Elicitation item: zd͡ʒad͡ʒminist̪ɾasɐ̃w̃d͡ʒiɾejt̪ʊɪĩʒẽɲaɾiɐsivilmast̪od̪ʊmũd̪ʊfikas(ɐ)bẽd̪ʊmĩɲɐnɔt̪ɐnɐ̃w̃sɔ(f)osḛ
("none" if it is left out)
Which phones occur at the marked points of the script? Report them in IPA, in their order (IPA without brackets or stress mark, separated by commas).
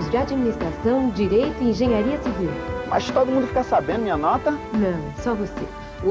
a, v